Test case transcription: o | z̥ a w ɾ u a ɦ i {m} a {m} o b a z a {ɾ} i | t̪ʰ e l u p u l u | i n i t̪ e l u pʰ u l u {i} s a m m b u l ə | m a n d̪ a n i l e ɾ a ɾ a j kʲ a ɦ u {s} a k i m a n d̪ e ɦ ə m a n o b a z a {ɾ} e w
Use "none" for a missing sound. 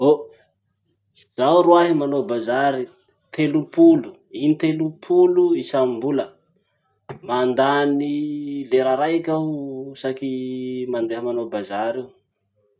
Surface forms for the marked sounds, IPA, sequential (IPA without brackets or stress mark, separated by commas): m, n, ɾ, i, s, ɾ